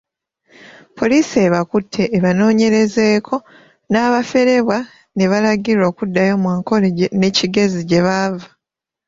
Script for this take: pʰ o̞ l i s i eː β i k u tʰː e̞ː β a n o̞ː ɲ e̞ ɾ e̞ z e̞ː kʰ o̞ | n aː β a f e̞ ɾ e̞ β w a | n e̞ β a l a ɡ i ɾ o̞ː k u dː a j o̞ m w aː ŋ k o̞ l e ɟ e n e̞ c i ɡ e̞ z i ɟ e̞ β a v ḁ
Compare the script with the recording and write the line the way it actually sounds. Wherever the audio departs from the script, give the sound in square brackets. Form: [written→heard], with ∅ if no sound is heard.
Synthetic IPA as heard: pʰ o̞ l i s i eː β [i→a] k u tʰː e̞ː β a n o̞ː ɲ e̞ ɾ e̞ z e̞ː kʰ o̞ | n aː β a f e̞ ɾ e̞ β w a | n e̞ β a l a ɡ i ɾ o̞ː k u dː a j o̞ m w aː ŋ k o̞ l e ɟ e n e̞ c i ɡ e̞ z i ɟ e̞ β a v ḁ